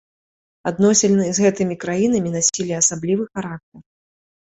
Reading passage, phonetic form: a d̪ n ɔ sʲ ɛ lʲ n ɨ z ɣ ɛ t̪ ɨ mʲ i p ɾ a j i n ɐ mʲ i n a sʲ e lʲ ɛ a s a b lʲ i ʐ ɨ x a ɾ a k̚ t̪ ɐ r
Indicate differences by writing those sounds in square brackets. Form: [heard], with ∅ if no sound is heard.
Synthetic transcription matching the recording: a d̪ n ɔ sʲ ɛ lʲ n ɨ z ɣ ɛ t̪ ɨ mʲ i [k] ɾ a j i n ɐ mʲ i n a sʲ [i] lʲ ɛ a s a b lʲ i [v] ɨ x a ɾ a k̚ t̪ ɐ r